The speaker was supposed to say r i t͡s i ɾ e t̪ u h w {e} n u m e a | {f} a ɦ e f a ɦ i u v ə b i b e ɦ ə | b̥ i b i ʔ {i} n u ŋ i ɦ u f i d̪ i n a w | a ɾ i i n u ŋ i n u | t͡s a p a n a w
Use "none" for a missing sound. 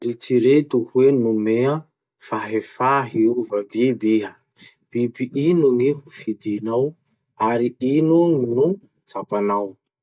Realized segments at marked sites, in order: e, f, i

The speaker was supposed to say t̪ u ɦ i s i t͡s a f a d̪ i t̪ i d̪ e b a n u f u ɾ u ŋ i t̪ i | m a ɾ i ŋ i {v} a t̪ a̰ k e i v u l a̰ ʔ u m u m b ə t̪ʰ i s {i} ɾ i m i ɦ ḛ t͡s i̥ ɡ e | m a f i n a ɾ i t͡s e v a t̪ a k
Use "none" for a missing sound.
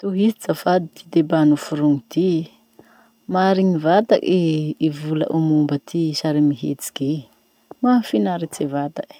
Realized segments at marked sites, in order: v, a

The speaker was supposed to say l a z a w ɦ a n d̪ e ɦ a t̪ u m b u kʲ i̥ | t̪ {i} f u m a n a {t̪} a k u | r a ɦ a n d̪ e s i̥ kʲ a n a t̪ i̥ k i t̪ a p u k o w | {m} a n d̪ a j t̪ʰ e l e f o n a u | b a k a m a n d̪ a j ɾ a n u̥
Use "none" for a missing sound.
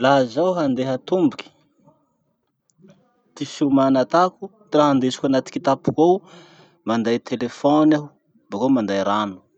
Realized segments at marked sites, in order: i, t̪, m

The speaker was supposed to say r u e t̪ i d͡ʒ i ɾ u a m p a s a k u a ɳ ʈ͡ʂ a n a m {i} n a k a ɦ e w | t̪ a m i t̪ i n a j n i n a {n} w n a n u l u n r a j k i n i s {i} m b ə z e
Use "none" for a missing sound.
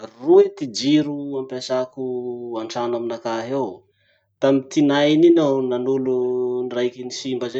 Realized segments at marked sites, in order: i, none, i

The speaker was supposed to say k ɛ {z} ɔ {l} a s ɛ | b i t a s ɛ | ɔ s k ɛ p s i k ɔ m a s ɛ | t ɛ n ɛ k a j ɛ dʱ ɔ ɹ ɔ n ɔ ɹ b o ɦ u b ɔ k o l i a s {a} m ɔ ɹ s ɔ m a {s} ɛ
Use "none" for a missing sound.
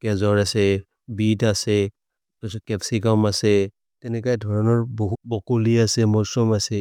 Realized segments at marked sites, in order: z, ɹ, ɛ, s

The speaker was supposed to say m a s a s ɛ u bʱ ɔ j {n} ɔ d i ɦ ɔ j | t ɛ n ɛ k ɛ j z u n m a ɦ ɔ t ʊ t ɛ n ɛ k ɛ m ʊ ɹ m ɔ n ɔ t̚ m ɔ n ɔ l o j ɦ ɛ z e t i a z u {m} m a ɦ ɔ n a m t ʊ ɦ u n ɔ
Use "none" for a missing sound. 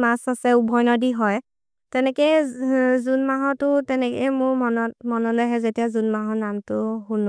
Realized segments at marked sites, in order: n, n

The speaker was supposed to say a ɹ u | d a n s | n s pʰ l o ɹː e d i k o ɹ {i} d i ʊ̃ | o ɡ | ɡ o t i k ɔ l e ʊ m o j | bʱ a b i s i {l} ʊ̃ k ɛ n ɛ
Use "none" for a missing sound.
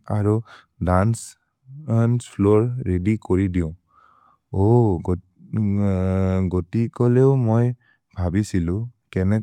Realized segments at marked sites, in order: i, l

